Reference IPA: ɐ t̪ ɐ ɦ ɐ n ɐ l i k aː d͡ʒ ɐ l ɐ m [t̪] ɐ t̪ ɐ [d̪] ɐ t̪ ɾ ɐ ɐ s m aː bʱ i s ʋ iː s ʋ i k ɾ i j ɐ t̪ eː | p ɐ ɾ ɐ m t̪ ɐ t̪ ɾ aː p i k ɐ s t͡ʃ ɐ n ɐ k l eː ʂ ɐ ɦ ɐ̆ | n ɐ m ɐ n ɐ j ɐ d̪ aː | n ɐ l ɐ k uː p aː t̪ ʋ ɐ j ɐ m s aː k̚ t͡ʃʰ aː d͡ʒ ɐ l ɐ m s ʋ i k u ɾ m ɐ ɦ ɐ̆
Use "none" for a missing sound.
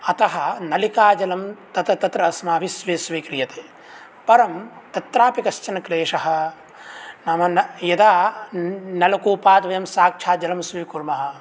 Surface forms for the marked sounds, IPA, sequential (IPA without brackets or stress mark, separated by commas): t̪, t̪